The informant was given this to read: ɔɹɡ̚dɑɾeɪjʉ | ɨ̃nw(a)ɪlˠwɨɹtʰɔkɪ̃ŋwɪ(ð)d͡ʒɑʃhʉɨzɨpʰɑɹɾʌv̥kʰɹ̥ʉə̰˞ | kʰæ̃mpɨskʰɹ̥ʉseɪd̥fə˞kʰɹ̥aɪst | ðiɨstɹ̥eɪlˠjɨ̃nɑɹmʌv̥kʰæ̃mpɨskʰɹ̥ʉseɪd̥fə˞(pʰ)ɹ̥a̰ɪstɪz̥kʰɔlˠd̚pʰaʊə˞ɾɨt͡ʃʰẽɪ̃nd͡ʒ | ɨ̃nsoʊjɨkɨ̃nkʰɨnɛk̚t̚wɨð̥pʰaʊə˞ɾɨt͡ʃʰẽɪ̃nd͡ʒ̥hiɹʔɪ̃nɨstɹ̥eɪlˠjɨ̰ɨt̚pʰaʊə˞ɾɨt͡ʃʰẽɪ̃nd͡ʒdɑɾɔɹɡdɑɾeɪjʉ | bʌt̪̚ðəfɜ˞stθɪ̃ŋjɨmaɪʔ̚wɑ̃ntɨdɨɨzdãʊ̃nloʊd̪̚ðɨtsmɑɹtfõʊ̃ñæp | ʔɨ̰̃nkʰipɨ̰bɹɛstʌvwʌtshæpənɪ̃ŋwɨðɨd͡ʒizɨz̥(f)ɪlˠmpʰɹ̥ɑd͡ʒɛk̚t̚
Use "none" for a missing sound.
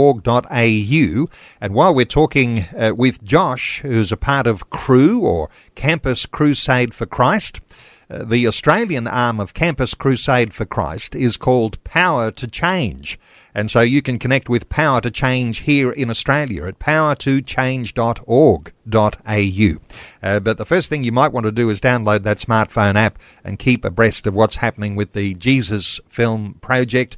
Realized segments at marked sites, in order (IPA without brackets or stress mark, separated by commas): a, ð, kʰ, f